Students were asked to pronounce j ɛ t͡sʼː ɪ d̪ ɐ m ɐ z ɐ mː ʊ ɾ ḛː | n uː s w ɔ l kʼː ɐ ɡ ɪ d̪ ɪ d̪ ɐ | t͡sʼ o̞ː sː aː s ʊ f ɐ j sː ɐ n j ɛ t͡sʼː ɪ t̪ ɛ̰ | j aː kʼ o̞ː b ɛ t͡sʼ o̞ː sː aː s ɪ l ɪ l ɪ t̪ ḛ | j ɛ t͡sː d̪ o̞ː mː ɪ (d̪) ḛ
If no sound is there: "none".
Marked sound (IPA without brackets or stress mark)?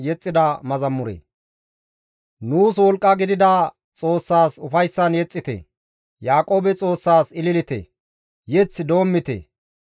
t̪